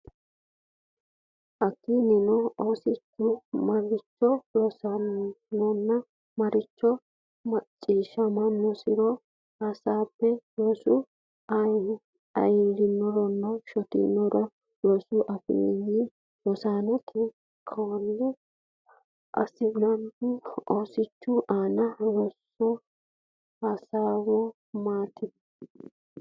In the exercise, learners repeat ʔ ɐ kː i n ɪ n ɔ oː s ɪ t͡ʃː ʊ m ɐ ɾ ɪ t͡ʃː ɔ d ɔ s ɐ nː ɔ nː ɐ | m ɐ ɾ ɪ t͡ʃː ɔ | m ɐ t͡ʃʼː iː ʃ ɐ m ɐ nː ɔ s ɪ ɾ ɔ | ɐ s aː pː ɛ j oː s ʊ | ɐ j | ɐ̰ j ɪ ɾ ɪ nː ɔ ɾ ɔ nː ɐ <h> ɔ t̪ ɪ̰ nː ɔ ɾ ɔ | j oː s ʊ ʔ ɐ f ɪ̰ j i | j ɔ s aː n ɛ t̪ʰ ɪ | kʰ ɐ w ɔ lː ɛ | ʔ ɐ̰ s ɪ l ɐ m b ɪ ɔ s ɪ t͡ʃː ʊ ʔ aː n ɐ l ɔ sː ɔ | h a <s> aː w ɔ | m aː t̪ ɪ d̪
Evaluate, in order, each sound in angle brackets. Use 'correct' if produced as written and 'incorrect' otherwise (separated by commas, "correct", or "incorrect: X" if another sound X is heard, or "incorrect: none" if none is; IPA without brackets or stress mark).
incorrect: ʃ, correct